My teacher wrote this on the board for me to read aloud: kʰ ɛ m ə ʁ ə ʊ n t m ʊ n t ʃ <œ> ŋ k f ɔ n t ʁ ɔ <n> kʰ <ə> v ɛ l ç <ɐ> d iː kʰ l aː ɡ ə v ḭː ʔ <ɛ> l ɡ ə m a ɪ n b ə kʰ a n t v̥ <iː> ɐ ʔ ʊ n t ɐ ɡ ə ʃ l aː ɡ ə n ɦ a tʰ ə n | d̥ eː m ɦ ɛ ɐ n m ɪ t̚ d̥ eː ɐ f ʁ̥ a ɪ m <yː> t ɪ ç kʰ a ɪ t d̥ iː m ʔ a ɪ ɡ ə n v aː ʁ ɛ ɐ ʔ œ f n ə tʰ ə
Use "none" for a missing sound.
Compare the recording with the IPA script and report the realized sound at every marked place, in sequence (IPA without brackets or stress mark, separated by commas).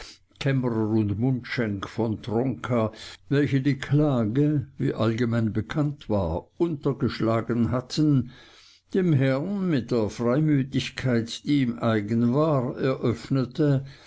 ɛ, ŋ, a, ə, a, aː, yː